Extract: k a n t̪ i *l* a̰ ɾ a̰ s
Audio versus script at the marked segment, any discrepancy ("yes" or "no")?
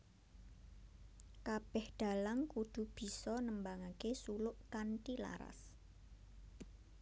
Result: no